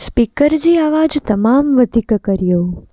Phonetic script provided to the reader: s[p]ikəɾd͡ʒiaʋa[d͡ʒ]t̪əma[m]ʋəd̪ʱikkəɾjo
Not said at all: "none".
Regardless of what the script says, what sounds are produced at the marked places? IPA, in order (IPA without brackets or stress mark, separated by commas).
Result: p, d͡ʒ, m